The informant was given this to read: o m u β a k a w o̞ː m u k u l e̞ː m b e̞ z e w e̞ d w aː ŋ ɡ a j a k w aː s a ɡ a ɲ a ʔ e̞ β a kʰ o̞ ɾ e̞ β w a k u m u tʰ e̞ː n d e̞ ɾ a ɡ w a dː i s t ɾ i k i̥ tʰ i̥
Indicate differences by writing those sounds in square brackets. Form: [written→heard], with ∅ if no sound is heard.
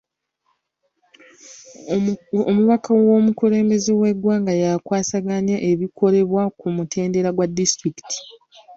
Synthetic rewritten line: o m u β a k a w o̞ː m u k u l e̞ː m b e̞ z e w e̞ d w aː ŋ ɡ a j a k w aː s a ɡ a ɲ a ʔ e̞ β [a→i] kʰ o̞ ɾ e̞ β w a k u m u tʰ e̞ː n d e̞ ɾ a ɡ w a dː i s t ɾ i k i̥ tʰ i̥